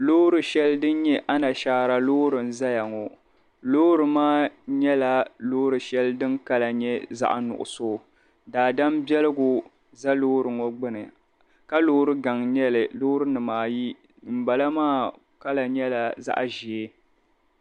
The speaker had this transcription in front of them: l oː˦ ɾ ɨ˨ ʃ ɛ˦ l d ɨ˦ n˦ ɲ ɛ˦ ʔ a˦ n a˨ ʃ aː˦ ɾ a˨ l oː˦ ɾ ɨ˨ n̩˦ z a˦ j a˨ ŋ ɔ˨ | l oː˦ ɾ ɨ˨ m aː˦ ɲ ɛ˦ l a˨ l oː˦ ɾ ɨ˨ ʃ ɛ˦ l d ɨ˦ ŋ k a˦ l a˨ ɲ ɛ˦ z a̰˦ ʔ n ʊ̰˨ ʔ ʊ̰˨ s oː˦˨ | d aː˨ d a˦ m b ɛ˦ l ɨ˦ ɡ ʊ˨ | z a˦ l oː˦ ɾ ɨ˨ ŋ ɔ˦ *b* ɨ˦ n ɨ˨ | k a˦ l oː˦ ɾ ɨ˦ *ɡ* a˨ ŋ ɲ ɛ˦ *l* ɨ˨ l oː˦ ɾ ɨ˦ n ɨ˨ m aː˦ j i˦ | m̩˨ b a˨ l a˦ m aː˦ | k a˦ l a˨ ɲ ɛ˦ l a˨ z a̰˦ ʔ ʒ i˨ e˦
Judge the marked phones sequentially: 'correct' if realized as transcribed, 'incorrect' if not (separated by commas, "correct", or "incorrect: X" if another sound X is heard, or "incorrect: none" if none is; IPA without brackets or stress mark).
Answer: incorrect: ɡ͡b, correct, correct